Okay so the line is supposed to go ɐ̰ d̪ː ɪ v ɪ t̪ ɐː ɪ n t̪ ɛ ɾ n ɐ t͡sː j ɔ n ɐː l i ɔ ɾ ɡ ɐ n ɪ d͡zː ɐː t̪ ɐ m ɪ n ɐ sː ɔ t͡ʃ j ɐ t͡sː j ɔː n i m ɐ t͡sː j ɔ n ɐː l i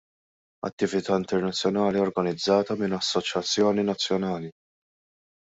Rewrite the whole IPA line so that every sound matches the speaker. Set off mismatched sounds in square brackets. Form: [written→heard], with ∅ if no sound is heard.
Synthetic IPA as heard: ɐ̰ [d̪ː→t̪ː] ɪ v ɪ t̪ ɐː ɪ n t̪ ɛ ɾ n ɐ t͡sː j ɔ n ɐː l i ɔ ɾ ɡ ɐ n ɪ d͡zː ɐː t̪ ɐ m ɪ n ɐ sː ɔ t͡ʃ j ɐ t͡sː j ɔː n i [m→n] ɐ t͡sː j ɔ n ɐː l i

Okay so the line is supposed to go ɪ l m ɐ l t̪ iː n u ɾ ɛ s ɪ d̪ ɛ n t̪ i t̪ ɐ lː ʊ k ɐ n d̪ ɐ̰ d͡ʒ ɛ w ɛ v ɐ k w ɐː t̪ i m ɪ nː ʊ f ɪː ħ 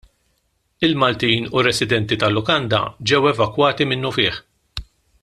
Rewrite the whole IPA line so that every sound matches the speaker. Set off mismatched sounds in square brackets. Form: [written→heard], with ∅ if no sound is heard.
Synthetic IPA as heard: ɪ l m ɐ l t̪ iː n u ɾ ɛ s ɪ d̪ ɛ n t̪ i t̪ ɐ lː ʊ k ɐ n d̪ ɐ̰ d͡ʒ ɛ w ɛ v ɐ k w ɐː t̪ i m ɪ nː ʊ f ɪː ħ

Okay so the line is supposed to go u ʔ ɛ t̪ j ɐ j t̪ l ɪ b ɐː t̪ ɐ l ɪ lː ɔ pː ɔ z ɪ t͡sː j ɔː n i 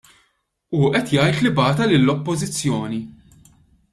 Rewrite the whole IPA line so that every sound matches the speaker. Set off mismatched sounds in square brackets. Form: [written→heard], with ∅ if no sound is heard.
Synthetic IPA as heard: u ʔ ɛ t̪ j ɐ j t̪ l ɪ b ɐː t̪ ɐ l ɪ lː ɔ pː ɔ z ɪ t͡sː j ɔː n i

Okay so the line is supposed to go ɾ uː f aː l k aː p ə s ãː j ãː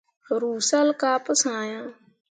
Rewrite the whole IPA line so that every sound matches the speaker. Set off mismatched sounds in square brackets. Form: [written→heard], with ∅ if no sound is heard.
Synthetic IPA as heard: ɾ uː [f→s] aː l k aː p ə s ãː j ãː

